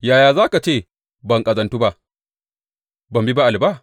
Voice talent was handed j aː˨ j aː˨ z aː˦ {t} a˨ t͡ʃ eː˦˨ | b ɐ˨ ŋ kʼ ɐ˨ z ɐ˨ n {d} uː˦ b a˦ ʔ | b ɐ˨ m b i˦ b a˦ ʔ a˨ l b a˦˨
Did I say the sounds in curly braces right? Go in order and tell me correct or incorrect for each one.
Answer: incorrect: k, incorrect: t

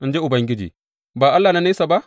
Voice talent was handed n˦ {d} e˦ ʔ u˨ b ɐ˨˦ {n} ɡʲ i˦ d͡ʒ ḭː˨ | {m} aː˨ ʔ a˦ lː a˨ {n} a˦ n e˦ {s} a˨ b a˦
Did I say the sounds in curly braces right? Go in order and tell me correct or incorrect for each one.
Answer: incorrect: d͡ʒ, incorrect: ŋ, incorrect: b, correct, correct

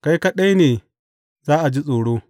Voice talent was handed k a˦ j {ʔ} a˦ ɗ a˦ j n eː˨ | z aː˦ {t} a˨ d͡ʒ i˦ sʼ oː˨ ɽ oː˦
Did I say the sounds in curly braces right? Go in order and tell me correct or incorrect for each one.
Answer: incorrect: k, incorrect: ʔ

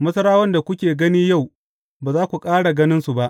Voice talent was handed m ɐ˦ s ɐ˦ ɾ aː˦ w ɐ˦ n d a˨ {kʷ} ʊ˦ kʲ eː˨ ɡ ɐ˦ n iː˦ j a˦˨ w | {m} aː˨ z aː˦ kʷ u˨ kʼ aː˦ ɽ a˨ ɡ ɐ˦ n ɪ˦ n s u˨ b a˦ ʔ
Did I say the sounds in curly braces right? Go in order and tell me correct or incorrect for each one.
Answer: correct, incorrect: b

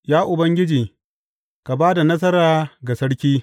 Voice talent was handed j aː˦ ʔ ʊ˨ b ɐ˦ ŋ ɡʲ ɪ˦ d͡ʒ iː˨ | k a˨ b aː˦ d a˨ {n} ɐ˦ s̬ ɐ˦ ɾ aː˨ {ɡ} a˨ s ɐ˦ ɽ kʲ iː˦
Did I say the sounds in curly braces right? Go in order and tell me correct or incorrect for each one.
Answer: correct, correct

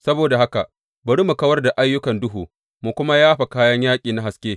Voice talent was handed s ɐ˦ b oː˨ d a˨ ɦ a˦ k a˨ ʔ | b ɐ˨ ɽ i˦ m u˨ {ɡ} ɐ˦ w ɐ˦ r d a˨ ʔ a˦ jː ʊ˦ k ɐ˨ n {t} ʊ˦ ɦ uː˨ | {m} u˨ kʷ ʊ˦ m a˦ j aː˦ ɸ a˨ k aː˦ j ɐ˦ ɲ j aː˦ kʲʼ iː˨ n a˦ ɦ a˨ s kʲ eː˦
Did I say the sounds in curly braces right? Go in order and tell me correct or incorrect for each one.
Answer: incorrect: k, incorrect: d, correct

